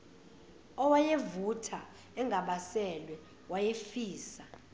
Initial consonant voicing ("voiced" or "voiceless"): voiced